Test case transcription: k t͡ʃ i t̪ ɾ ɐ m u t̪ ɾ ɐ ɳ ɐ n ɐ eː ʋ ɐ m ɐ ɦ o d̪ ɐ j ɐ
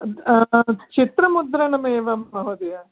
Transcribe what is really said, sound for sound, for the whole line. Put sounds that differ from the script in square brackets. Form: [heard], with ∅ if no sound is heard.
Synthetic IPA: k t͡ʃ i t̪ ɾ ɐ m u [d̪] ɾ ɐ [n] ɐ [m] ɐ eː ʋ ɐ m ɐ ɦ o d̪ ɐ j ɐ